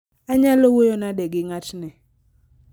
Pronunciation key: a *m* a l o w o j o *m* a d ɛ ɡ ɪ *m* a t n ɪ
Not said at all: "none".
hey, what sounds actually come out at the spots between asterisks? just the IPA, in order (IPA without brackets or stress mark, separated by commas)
ɲ, n, ŋ